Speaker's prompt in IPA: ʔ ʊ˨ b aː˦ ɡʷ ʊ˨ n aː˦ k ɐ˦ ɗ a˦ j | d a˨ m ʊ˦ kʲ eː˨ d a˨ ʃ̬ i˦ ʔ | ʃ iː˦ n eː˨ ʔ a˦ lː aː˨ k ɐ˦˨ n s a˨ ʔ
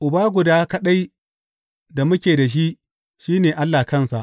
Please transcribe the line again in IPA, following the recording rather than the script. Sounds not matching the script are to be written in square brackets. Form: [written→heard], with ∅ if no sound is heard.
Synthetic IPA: ʔ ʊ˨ b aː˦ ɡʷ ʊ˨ [n→d] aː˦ k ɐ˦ ɗ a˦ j | d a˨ m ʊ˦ kʲ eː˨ d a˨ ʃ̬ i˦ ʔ | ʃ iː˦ n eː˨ ʔ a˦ lː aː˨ k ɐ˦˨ n s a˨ ʔ